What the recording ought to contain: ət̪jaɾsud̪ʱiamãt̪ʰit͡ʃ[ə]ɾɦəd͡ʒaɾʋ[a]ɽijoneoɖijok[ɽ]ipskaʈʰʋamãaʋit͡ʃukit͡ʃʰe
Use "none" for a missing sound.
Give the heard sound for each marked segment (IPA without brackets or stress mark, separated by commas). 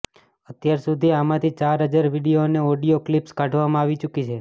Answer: a, i, l